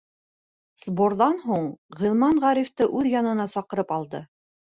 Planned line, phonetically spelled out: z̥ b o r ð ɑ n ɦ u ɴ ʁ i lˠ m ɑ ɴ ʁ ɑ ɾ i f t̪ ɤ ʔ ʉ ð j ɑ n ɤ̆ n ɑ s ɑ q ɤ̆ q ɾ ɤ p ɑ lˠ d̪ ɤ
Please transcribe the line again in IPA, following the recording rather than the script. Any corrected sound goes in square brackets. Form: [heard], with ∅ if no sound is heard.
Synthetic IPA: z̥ b o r ð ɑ n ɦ u ɴ ʁ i lˠ m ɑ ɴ ʁ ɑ ɾ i f t̪ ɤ ʔ ʉ ð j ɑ n ɤ̆ n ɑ s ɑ q ɤ̆ [∅] ɾ ɤ p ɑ lˠ d̪ ɤ